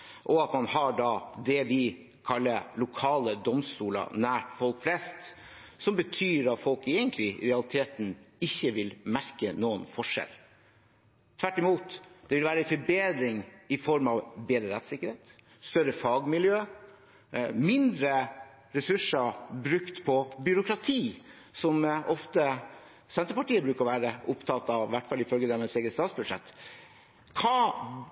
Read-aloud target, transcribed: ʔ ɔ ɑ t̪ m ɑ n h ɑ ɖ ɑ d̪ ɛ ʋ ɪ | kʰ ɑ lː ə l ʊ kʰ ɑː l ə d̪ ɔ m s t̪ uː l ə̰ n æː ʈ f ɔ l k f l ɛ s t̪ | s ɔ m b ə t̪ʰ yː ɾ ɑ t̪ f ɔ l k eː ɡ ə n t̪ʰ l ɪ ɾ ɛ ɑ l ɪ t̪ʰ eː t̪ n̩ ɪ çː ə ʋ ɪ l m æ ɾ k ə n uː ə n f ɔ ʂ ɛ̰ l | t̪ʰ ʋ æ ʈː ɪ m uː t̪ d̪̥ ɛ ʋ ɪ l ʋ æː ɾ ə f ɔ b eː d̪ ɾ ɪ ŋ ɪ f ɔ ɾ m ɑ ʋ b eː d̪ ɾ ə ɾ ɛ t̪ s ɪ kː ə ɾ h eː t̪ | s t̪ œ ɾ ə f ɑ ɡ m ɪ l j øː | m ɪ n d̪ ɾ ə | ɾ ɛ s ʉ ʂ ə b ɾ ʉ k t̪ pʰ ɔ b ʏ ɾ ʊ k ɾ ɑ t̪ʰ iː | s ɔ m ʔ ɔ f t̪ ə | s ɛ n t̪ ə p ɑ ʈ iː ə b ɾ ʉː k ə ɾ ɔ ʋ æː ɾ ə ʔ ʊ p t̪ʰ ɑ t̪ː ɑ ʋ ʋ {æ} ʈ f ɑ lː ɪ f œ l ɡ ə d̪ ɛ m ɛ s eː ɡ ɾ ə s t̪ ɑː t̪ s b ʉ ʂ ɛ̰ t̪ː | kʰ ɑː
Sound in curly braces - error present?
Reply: no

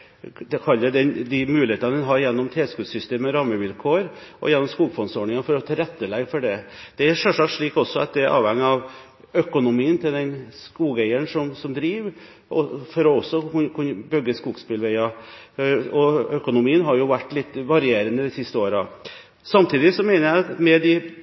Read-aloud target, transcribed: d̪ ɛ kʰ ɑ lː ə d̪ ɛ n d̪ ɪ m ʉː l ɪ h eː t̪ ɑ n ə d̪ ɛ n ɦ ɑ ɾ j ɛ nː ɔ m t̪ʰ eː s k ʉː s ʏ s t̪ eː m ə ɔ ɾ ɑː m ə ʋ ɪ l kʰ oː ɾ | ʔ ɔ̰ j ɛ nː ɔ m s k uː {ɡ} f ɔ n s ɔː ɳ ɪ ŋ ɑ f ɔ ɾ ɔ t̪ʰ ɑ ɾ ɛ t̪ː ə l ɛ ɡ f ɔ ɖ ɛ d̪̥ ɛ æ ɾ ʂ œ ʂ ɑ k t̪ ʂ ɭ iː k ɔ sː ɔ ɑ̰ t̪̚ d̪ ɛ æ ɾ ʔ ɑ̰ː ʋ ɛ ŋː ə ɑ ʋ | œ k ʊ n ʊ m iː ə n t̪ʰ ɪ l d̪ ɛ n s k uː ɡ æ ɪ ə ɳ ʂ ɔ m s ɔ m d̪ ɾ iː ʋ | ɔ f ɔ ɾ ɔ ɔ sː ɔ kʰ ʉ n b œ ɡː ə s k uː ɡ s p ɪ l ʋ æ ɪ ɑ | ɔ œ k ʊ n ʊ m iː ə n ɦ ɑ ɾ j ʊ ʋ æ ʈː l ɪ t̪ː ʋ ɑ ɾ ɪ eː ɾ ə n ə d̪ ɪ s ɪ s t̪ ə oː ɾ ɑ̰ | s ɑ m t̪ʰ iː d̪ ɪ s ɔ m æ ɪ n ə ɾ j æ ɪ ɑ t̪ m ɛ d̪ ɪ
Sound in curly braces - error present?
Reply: no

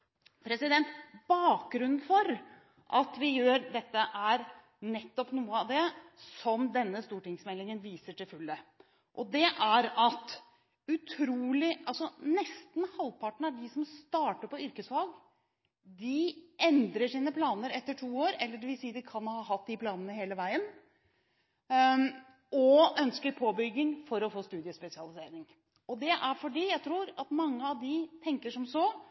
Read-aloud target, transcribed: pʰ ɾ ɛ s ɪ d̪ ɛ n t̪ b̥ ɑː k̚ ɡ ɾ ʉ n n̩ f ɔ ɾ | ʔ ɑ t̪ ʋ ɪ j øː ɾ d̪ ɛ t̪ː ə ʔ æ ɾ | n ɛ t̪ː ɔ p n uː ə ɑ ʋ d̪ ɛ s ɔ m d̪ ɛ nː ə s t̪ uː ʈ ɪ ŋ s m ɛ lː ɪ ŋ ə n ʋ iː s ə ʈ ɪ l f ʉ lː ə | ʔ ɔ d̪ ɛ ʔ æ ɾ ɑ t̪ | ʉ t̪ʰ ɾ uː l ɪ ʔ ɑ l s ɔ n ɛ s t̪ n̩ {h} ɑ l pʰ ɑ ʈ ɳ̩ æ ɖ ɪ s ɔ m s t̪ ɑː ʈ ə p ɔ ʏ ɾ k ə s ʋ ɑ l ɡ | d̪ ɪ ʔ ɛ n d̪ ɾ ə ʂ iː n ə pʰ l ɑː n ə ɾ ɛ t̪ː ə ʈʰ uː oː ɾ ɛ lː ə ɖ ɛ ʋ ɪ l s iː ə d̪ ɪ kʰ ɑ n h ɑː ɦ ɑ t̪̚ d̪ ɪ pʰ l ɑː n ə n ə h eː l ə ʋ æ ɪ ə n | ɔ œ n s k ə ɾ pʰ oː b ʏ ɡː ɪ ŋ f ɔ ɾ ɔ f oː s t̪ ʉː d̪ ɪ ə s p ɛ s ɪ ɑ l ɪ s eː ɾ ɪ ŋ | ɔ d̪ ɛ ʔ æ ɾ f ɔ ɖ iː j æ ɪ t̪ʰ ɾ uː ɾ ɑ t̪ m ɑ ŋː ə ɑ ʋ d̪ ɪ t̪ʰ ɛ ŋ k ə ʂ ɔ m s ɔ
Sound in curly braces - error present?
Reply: no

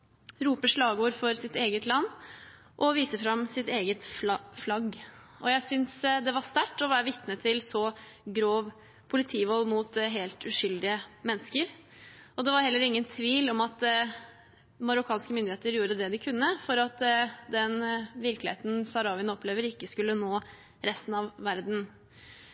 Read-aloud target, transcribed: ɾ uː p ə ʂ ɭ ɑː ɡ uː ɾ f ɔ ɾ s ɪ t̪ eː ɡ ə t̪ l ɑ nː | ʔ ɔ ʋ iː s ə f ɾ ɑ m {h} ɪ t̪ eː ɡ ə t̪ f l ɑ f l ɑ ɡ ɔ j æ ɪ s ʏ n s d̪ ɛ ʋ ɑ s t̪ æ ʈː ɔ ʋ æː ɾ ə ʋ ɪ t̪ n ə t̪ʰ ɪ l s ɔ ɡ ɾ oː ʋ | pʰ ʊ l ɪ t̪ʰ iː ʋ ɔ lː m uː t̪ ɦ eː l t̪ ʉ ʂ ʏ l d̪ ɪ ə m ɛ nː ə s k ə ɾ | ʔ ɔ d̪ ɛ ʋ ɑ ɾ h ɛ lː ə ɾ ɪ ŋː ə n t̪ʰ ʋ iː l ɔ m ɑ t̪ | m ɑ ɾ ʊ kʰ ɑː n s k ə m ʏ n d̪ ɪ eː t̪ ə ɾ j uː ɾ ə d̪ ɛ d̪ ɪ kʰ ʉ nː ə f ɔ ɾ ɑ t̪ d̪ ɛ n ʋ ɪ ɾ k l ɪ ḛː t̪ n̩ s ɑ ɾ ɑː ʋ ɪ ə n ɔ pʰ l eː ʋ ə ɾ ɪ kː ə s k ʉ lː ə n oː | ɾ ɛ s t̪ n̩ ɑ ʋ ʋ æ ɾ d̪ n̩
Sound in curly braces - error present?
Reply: yes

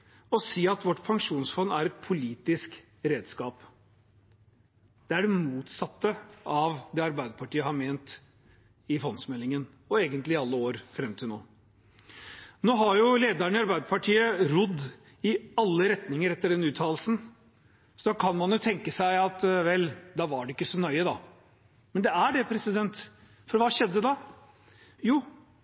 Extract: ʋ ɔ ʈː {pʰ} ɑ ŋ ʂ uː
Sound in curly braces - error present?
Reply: no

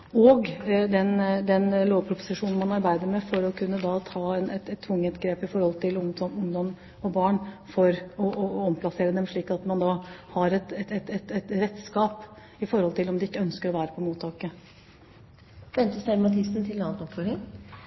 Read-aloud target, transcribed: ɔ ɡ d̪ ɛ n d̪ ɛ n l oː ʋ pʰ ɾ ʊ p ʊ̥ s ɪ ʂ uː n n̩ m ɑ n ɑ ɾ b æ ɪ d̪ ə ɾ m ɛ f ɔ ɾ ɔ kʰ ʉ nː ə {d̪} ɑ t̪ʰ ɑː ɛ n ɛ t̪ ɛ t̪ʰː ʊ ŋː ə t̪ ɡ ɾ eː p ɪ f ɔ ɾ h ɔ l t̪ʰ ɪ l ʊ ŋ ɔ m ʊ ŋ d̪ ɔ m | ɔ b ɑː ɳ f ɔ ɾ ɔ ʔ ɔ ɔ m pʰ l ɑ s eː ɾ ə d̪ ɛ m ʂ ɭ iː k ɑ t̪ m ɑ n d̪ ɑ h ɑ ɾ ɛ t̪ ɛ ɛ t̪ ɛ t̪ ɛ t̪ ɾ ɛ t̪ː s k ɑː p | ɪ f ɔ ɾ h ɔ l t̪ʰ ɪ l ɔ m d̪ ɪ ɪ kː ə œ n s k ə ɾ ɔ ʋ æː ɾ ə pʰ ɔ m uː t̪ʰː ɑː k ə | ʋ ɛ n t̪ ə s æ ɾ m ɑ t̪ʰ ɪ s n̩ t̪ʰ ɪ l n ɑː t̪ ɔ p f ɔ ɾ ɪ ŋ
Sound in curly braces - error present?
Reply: no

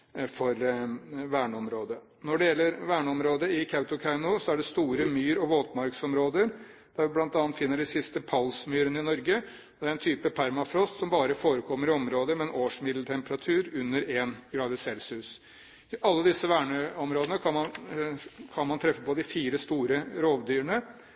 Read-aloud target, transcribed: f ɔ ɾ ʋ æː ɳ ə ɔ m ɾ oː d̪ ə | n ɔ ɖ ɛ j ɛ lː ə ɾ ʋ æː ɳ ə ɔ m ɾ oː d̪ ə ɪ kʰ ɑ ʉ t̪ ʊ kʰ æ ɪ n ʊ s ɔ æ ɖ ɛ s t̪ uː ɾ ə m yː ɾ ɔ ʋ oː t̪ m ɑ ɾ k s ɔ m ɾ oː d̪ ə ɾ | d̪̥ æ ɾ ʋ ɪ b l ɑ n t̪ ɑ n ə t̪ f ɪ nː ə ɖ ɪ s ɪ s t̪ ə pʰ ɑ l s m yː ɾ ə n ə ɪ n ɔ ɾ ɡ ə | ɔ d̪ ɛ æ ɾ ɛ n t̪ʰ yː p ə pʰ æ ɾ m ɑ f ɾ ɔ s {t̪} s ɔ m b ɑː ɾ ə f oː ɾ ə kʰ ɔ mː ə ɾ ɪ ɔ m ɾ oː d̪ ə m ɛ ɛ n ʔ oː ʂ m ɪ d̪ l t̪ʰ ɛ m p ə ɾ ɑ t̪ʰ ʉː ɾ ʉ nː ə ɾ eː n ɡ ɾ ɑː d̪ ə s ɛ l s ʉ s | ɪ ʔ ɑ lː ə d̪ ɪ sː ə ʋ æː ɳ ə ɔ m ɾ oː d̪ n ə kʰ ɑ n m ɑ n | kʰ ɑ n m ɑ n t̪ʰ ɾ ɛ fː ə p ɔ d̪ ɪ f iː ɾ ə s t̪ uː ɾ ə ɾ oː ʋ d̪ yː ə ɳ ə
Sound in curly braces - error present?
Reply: no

